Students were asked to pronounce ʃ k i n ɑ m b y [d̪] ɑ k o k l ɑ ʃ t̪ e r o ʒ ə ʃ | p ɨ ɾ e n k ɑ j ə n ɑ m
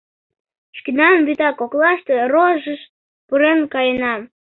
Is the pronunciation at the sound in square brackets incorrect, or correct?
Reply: incorrect